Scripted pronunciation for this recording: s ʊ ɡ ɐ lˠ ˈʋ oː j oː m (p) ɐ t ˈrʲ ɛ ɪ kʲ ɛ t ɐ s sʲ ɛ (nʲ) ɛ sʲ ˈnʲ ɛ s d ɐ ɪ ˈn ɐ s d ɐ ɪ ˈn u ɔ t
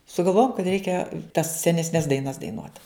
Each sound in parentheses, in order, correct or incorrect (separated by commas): incorrect, correct